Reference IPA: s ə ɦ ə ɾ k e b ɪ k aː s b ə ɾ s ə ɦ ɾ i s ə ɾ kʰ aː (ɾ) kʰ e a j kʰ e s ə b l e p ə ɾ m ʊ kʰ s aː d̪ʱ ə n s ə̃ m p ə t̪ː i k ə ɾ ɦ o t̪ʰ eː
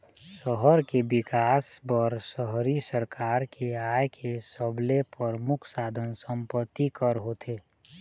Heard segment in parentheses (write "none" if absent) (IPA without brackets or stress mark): ɾ